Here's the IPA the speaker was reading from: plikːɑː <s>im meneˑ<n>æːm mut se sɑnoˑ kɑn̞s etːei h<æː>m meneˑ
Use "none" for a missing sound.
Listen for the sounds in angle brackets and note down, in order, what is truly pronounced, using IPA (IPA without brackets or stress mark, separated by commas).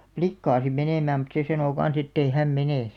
s, m, æ